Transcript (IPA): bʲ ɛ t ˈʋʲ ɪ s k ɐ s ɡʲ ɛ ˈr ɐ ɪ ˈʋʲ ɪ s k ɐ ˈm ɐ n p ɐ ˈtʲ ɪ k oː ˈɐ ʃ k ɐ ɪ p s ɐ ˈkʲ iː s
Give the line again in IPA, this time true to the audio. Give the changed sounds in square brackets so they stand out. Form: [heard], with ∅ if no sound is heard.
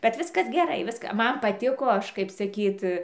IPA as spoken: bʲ ɛ t ˈʋʲ ɪ s k ɐ s ɡʲ ɛ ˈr ɐ ɪ ˈʋʲ ɪ s k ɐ ˈm ɐ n p ɐ ˈtʲ ɪ k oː ˈɐ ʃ k ɐ ɪ p s ɐ ˈkʲ iː [t]